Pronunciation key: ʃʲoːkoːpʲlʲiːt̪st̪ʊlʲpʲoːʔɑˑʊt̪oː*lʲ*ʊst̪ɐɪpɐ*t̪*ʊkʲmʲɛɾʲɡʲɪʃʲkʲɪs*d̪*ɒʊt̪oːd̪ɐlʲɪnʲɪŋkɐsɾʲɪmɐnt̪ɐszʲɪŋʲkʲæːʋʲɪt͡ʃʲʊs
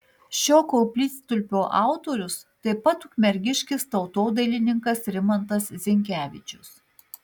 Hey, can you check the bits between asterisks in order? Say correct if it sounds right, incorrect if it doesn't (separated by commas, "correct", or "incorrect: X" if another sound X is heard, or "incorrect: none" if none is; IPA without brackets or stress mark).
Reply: incorrect: ɾʲ, correct, incorrect: t̪